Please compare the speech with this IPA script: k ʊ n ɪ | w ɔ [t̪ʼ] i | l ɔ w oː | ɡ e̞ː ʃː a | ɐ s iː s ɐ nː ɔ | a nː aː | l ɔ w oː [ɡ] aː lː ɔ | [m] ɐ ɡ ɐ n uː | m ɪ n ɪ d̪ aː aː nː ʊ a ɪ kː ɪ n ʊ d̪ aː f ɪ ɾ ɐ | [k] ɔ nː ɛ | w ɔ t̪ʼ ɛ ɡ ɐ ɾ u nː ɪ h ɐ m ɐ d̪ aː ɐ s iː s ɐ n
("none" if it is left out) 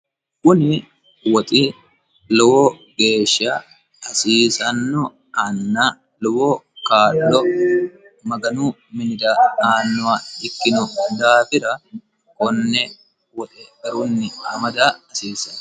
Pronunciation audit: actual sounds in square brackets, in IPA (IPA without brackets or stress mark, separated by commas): t̪ʼ, k, m, k